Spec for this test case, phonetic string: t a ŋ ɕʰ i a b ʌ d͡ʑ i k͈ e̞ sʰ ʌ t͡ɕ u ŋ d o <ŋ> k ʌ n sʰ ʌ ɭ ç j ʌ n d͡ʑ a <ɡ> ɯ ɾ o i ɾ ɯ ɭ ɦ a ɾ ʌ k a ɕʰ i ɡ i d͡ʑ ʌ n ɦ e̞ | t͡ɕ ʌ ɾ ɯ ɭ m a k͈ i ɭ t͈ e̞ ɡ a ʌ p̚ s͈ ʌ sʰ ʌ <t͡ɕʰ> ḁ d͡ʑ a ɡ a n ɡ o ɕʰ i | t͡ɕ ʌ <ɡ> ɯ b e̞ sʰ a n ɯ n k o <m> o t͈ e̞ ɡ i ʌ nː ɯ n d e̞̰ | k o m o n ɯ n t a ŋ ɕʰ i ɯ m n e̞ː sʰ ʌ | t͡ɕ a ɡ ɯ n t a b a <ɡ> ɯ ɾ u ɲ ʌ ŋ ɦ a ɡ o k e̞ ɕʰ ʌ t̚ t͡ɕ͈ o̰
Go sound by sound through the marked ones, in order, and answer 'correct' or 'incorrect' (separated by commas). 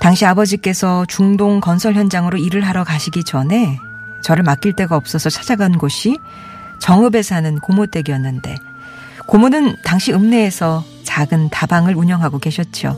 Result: correct, incorrect, correct, incorrect, correct, incorrect